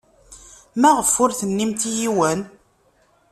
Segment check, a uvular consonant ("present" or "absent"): present